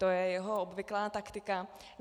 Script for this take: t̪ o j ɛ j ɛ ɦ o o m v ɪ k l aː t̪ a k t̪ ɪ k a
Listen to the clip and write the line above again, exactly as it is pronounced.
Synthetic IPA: t̪ o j ɛ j ɛ ɦ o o b v ɪ k l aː t̪ a k t̪ ɪ k a

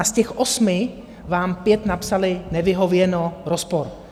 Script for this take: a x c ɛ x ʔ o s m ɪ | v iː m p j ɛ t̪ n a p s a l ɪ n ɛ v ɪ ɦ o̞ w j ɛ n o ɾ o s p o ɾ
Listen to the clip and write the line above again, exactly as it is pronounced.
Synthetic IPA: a s c ɛ x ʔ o s m ɪ | v aː m p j ɛ t̪ n a p s a l ɪ n ɛ v ɪ ɦ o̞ v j ɛ n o ɾ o s p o ɾ

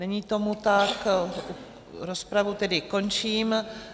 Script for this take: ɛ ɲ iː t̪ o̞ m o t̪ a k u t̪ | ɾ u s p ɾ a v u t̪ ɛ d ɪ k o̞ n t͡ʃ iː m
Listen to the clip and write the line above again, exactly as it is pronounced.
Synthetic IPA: ɛ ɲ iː t̪ o̞ m u t̪ a k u | ɾ o s p ɾ a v u t̪ ɛ d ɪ k o̞ n t͡ʃ iː m

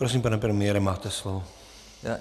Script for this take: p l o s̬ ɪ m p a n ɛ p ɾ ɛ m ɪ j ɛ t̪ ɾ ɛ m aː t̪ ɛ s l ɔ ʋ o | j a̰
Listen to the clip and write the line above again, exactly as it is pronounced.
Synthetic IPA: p ɾ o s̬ i m p a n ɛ p ɾ ɛ m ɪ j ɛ ɾ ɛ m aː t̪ ɛ s l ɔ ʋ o | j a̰

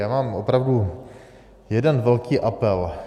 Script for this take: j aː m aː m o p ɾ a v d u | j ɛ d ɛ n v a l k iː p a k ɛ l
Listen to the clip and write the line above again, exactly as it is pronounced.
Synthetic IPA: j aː m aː m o p ɾ a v d u | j ɛ d ɛ n v ɛ l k iː ʔ a p ɛ l

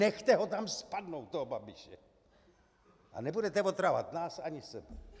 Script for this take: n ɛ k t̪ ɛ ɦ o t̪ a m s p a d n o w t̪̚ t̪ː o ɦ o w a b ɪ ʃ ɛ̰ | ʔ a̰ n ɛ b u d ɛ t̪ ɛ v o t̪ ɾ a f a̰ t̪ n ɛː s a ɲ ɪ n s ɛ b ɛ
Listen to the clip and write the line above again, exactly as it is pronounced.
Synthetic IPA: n ɛ x t̪ ɛ ɦ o t̪ a m s p a d n o w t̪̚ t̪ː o ɦ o b a b ɪ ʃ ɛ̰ | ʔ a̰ n ɛ b u d ɛ t̪ ɛ v o t̪ ɾ a v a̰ t̪ n aː s a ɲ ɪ s ɛ b ɛ

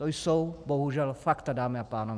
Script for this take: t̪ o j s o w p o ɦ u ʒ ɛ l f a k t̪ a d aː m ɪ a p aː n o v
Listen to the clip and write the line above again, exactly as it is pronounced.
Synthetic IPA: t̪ o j s o w b o ɦ u ʒ ɛ l f a k t̪ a d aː m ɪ a p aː n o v

